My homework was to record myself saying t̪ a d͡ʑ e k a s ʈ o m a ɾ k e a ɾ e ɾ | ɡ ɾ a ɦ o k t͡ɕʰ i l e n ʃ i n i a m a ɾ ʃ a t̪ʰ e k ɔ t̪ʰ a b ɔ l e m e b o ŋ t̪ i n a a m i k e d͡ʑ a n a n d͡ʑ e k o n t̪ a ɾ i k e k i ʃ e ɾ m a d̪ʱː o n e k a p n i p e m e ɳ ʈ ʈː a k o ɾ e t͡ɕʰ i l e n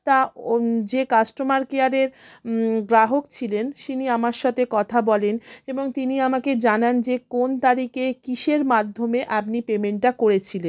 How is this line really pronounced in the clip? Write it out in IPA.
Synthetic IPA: t̪ a d͡ʑ e k a s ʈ o m a ɾ k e a ɾ e ɾ | ɡ ɾ a ɦ o k t͡ɕʰ i l e n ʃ i n i a m a ɾ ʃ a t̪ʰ e k ɔ t̪ʰ a b ɔ l e n e b o ŋ t̪ i n i a m a k e d͡ʑ a n a n d͡ʑ e k o n t̪ a ɾ i k e k i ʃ e ɾ m a d̪ʱː o m e ʔ a p n i p e m e ɳ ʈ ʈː a k o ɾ e t͡ɕʰ i l e n

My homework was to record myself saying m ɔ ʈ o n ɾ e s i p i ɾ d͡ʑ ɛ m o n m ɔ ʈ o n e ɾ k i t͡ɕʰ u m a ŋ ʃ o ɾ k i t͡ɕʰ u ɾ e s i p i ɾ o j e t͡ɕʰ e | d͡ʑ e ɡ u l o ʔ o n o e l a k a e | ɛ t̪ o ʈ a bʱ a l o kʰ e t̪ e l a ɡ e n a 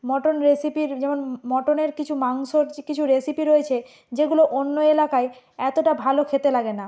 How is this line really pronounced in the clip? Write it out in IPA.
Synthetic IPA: m ɔ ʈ o n ɾ e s i p i ɾ d͡ʑ ɛ m o n m ɔ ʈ o n e ɾ k i t͡ɕʰ u m a ŋ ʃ o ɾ k i t͡ɕʰ u ɾ e s i p i ɾ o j e t͡ɕʰ e | d͡ʑ e ɡ u l o ʔ o nː o e l a k a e | ɛ t̪ o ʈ a bʱ a l o kʰ e t̪ e l a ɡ e n a

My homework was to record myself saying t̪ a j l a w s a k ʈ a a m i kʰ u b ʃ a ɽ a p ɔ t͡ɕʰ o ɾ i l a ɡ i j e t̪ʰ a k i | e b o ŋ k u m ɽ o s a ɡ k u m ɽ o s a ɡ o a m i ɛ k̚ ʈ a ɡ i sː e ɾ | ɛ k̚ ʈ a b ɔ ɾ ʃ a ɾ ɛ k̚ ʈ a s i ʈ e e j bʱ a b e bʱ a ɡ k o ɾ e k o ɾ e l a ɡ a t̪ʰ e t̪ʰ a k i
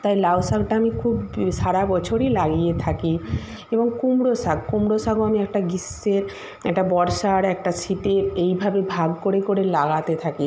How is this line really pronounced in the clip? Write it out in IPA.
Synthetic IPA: t̪ a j l a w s a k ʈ a a m i kʰ u b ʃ a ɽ a b ɔ t͡ɕʰ o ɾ i l a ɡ i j e t̪ʰ a k i | e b o ŋ k u m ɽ o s a ɡ k u m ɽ o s a ɡ o a m i ɛ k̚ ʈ a ɡ i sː e ɾ | ɛ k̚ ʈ a b ɔ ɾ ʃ a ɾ ɛ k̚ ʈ a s i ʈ e e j bʱ a b e bʱ a ɡ k o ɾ e k o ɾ e l a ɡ a t̪ e t̪ʰ a k i

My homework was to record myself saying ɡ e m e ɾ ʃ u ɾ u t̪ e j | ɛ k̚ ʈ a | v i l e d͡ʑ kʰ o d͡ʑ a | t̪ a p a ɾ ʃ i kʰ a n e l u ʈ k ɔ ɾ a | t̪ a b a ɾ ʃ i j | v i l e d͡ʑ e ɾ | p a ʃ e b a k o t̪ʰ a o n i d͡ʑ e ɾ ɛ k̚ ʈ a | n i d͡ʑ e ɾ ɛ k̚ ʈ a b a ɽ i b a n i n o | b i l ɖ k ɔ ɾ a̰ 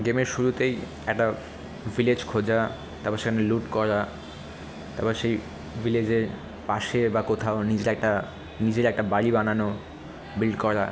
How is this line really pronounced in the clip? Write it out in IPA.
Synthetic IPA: ɡ e m e ɾ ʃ u ɾ u t̪ e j | ɛ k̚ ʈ a | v i l e d͡ʑ kʰ o d͡ʑ a | t̪ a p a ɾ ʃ e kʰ a n e l u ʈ k ɔ ɾ a | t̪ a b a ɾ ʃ e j | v i l e d͡ʑ e ɾ | p a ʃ e b a k o t̪ʰ a o n i d͡ʑ e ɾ ɛ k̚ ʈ a | n i d͡ʑ e ɾ ɛ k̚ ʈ a b a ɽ i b a n a n o | b i l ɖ k ɔ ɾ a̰

